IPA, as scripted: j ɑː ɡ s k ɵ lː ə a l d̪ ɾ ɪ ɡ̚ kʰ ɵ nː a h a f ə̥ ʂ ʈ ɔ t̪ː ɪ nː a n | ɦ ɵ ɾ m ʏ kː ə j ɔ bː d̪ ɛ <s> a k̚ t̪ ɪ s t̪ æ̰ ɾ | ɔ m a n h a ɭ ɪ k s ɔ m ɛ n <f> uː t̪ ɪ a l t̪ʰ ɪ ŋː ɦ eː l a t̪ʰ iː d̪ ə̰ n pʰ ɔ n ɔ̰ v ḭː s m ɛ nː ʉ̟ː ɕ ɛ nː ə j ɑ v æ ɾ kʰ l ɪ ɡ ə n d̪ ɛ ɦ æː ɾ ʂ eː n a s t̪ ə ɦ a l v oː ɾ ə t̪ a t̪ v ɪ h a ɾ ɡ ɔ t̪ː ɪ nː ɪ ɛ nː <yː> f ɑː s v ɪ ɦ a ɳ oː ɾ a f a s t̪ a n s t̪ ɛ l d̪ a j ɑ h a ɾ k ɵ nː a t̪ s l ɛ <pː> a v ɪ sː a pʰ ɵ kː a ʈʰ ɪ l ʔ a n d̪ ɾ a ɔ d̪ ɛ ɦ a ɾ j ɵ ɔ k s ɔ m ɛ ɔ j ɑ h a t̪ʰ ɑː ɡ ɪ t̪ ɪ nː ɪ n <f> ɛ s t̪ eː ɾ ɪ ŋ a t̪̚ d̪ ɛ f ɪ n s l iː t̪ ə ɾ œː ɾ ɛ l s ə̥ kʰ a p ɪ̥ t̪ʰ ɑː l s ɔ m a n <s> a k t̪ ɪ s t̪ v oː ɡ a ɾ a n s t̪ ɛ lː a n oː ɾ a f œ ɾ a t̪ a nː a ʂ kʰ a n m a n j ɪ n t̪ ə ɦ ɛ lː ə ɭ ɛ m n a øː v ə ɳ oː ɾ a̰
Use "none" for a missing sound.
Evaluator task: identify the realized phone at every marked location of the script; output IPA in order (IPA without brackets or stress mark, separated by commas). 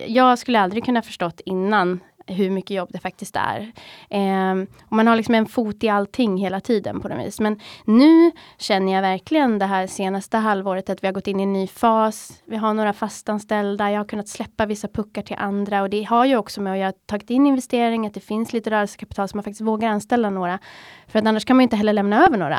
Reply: f, f, yː, pː, v, f